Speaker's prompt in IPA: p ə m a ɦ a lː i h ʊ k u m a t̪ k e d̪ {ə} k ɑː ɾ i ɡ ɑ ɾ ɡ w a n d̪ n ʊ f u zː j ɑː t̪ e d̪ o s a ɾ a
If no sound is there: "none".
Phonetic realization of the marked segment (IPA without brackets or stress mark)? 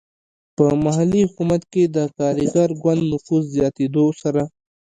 ə